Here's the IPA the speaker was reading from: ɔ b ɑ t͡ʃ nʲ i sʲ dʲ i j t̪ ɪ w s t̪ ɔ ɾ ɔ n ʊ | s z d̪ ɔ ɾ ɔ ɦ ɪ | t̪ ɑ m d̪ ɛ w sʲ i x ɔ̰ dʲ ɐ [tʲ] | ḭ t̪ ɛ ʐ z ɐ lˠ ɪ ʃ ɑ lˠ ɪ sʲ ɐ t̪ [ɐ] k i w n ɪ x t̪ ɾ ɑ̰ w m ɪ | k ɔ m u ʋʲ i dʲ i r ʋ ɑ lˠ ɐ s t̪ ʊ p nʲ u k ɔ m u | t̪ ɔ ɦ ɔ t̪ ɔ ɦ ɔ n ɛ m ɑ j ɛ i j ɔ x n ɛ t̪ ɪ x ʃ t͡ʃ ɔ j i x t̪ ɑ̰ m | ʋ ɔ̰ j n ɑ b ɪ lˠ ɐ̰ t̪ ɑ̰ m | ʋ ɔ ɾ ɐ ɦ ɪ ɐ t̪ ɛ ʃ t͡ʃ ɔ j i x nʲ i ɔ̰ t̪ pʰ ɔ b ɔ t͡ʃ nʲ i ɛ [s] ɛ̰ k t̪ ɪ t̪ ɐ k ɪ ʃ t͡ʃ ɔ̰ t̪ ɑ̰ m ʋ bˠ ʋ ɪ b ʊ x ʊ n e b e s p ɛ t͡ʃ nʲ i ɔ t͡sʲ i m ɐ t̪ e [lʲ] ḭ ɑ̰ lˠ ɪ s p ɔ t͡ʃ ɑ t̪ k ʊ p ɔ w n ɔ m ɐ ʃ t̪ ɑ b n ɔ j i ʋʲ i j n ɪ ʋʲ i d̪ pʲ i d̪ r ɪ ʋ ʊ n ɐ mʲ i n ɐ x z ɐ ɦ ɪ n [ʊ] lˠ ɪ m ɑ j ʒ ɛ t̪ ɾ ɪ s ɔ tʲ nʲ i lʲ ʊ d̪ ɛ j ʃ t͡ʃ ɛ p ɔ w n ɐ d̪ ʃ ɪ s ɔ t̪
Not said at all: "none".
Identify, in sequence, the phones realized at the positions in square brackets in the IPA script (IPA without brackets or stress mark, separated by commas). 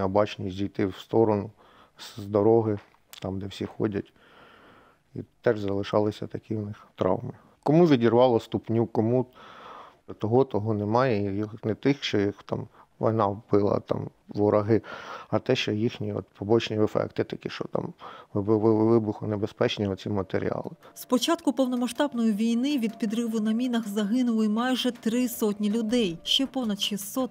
tʲ, ɐ, f, ɾʲ, ʊ